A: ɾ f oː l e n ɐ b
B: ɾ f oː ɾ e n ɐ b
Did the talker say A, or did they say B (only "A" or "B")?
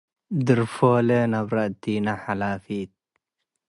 A